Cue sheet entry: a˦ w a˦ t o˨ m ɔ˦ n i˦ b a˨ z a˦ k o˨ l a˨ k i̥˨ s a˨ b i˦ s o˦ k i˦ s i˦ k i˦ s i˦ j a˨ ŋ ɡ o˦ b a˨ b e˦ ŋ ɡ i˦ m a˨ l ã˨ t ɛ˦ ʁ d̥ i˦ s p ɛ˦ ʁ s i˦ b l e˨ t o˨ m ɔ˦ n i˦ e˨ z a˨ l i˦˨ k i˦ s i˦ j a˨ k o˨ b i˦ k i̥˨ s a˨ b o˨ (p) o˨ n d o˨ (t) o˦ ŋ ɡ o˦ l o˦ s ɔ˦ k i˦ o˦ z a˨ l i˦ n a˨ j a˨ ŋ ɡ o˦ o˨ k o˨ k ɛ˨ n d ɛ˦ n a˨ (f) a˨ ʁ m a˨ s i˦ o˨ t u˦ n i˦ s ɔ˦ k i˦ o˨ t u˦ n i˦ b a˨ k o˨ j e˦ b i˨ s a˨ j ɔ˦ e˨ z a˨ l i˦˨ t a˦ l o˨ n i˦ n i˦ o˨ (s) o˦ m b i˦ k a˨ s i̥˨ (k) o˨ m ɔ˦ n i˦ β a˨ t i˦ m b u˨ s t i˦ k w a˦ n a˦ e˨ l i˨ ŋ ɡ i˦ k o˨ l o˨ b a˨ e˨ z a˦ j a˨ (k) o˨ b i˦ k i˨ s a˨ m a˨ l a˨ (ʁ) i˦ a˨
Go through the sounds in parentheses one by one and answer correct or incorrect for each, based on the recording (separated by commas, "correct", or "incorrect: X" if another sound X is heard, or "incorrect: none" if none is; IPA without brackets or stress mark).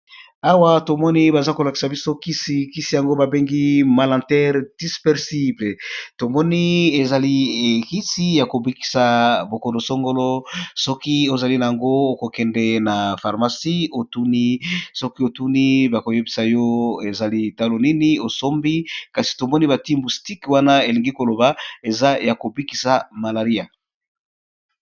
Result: incorrect: k, incorrect: s, correct, correct, incorrect: t, correct, correct